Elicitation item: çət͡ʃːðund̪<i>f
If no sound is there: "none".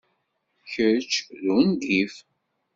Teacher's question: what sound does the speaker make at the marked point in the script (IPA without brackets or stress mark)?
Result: i